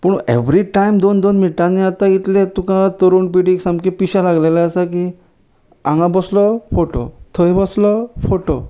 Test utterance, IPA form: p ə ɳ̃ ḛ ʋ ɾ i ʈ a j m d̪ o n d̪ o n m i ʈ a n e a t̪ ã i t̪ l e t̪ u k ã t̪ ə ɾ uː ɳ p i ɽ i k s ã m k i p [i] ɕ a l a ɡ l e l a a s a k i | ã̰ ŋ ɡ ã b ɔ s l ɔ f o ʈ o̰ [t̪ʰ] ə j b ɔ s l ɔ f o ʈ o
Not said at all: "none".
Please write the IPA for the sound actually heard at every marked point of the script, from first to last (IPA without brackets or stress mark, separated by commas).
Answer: i, t̪ʰ